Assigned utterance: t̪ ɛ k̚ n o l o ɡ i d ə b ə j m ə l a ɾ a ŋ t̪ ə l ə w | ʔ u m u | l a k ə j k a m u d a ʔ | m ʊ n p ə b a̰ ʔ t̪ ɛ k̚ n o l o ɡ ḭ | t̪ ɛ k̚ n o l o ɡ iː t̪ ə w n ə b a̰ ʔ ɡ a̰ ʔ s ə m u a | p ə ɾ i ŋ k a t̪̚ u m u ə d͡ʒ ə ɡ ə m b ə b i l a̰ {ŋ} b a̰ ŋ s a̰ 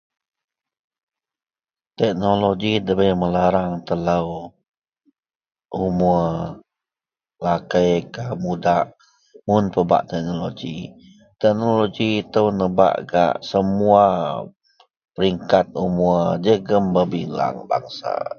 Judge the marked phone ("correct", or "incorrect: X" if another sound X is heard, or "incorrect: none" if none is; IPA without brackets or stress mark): correct